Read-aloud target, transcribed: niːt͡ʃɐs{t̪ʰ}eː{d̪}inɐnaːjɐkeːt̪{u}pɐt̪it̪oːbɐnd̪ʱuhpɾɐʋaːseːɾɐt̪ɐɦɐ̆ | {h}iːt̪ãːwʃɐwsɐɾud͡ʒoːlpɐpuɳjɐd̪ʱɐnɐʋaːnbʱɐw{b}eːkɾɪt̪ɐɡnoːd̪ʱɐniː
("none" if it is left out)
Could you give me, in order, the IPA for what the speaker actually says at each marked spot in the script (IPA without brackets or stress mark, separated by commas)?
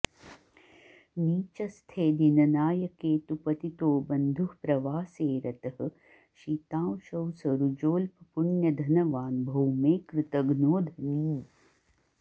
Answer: t̪ʰ, d̪, u, ʃ, m